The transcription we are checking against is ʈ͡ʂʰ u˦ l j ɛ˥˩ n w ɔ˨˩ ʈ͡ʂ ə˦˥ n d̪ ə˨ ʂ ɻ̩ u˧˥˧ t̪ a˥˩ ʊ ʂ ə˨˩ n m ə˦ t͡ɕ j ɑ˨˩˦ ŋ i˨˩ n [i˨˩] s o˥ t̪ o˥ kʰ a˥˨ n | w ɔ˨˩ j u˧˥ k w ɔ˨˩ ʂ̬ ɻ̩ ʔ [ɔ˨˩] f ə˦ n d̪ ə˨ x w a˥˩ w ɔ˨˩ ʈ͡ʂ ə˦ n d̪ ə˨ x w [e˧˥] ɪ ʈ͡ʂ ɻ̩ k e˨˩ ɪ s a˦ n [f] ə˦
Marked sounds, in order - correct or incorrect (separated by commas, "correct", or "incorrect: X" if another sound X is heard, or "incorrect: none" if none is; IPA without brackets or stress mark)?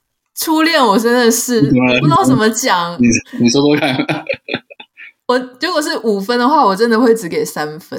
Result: correct, incorrect: u˨˩, incorrect: e˥˩, correct